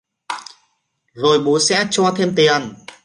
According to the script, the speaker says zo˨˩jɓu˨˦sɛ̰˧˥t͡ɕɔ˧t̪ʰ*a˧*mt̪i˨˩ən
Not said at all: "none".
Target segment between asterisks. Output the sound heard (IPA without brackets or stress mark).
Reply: e˧